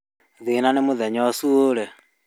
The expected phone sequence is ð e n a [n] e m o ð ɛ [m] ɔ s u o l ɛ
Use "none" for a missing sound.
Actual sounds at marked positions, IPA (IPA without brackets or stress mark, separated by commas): n, ɲ